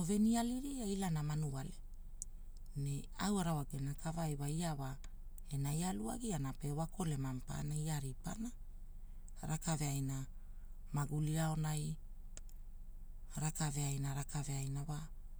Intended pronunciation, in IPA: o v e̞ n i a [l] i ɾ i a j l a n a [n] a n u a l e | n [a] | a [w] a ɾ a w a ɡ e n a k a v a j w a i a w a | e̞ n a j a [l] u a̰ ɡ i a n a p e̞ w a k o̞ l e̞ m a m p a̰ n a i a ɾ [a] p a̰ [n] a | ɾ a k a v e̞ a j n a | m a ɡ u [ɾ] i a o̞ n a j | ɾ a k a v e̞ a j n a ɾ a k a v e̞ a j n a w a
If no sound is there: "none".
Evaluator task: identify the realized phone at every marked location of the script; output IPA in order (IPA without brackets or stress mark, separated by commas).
l, m, e, w, l, i, n, l